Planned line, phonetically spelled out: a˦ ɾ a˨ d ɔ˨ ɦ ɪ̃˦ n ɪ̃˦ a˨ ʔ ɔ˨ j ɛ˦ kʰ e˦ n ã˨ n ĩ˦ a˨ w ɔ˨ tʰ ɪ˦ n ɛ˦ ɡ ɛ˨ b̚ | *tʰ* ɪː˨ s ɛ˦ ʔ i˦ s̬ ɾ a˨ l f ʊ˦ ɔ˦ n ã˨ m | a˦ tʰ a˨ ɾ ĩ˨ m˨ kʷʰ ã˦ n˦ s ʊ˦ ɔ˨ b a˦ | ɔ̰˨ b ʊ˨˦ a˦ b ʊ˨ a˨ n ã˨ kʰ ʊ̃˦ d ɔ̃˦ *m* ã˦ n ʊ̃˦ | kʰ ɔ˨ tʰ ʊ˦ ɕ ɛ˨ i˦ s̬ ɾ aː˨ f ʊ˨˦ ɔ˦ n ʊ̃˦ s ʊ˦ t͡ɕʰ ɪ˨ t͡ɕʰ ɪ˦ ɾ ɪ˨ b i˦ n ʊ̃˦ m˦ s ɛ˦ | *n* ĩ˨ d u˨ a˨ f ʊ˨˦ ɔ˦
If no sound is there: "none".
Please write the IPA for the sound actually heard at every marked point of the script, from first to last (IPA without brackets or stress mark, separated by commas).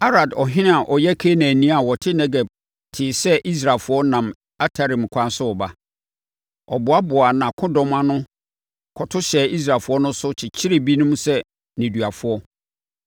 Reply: tʰ, m, n